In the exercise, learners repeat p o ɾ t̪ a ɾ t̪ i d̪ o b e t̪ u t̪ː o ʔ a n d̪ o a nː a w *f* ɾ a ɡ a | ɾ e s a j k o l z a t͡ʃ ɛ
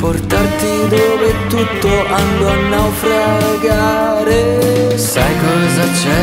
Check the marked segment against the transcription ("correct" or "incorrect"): correct